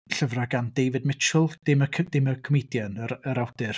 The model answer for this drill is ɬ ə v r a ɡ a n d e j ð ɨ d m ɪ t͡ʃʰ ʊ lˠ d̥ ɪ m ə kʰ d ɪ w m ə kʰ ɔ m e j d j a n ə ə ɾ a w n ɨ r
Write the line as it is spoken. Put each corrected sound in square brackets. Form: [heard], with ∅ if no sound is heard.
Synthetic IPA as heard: ɬ ə v r a ɡ a n d e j [v] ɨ d m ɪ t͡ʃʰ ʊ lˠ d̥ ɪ m ə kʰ d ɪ [∅] m ə kʰ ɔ m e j d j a n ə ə ɾ a w [d] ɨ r